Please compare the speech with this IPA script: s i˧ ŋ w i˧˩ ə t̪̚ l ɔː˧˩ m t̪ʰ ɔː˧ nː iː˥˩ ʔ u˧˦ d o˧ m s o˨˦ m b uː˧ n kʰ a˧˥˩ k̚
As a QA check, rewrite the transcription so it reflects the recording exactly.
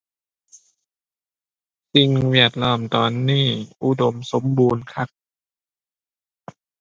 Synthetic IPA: s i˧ ŋ w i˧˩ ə t̪̚ l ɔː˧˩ m t̪ ɔː˧ nː iː˥˩ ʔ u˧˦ d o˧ m s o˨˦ m b uː˧ n kʰ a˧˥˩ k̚